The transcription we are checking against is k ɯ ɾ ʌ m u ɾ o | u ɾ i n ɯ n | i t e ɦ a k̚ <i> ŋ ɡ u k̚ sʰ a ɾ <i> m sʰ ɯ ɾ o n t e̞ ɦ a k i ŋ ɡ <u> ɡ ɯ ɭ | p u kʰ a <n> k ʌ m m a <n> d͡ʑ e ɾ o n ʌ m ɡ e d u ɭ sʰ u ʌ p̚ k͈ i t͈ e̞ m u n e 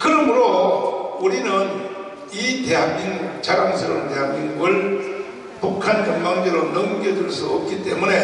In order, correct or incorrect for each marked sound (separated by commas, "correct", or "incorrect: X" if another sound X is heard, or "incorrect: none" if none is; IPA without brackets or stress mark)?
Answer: correct, incorrect: a, correct, correct, incorrect: ŋ